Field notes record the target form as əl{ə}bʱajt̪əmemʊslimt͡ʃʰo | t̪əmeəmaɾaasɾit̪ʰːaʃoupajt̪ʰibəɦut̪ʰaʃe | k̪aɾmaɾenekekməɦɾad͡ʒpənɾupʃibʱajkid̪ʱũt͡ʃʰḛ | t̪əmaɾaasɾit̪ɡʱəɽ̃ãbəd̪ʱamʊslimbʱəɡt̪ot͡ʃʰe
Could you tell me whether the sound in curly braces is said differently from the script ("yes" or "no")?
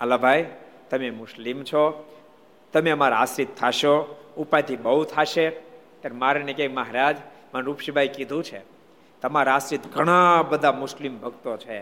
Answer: yes